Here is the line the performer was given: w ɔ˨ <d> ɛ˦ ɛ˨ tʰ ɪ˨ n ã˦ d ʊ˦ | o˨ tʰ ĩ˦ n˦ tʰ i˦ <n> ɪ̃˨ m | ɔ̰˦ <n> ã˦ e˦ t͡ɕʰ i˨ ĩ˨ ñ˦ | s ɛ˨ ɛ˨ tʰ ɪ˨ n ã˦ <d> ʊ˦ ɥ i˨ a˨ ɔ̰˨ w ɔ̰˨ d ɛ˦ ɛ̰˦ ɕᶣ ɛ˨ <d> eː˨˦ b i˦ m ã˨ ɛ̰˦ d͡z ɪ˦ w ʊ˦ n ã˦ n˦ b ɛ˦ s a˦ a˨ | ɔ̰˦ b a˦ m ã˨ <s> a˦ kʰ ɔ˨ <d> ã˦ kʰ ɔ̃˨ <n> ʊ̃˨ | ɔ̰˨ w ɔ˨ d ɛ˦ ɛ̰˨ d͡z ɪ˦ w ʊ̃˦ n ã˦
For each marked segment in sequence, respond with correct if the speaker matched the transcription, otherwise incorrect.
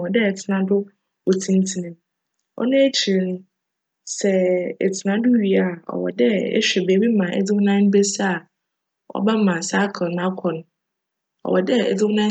correct, correct, correct, correct, incorrect: b, correct, incorrect: n, correct

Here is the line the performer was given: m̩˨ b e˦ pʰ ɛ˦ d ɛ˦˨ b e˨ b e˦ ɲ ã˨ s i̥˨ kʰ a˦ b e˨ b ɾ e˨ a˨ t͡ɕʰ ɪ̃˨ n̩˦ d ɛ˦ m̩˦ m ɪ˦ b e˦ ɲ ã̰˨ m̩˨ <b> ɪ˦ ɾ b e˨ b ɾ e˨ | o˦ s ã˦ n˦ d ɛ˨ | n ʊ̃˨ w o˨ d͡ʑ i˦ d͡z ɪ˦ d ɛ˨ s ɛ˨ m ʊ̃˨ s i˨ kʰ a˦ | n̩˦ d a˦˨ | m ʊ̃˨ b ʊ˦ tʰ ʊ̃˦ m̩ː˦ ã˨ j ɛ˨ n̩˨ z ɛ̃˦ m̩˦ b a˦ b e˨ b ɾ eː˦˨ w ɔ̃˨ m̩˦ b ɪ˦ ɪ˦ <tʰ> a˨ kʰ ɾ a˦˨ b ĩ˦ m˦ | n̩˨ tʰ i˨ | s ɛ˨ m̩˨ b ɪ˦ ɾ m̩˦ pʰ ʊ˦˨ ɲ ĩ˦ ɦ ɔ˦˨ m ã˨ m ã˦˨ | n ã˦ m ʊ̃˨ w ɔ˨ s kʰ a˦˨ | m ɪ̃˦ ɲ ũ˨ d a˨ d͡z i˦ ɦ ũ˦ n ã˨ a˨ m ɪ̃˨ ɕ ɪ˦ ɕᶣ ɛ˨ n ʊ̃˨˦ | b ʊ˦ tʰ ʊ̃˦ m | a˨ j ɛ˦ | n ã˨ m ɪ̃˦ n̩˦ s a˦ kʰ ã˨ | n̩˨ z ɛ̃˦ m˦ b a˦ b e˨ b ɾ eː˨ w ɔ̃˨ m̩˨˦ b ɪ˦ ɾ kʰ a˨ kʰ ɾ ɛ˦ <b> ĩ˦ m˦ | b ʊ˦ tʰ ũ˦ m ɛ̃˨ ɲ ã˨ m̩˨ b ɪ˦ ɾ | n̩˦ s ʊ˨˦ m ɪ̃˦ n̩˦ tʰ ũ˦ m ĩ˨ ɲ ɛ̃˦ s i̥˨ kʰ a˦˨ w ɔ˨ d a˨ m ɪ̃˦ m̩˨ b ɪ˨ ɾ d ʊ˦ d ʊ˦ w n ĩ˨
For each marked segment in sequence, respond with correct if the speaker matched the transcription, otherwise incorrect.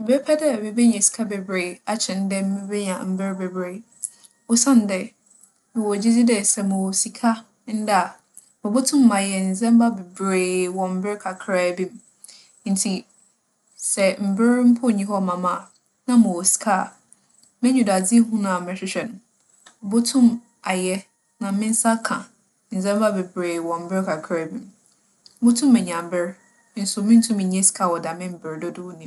correct, incorrect: kʰ, correct

